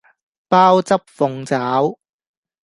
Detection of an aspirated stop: absent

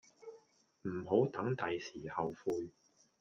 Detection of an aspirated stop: absent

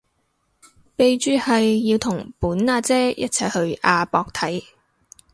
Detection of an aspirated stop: present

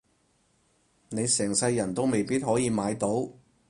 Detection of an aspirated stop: absent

